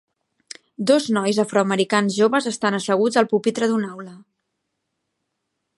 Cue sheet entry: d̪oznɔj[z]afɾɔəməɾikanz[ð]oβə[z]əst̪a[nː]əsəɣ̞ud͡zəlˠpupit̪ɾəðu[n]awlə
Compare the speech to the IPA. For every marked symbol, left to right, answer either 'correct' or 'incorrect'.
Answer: correct, incorrect, correct, incorrect, correct

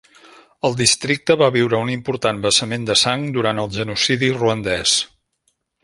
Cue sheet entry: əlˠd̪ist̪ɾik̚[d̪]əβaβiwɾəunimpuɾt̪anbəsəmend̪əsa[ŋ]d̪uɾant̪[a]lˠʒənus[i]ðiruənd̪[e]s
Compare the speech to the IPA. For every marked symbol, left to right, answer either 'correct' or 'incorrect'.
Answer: incorrect, correct, incorrect, correct, incorrect

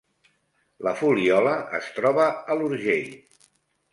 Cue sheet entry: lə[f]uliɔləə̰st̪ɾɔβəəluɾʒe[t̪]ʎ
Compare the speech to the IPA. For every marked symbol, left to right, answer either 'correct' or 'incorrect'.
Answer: correct, incorrect

